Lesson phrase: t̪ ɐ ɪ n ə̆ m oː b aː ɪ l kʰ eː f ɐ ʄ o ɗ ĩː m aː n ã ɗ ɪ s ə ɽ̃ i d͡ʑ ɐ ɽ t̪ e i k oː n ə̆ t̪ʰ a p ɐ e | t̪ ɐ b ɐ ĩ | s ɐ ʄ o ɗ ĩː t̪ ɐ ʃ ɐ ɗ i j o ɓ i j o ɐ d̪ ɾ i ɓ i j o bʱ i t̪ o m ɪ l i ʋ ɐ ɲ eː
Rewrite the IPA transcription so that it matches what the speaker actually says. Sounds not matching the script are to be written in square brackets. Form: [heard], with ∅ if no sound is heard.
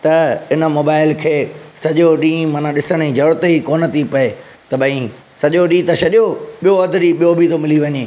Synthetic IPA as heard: t̪ ɐ ɪ n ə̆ m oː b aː ɪ l kʰ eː [s] ɐ ʄ o ɗ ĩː m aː n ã ɗ ɪ s ə ɽ̃ i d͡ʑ ɐ ɽ t̪ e i k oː n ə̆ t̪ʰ [i] p ɐ e | t̪ ɐ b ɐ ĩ | s ɐ ʄ o ɗ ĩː t̪ ɐ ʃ ɐ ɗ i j o ɓ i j o ɐ d̪ ɾ i ɓ i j o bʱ i t̪ o m ɪ l i ʋ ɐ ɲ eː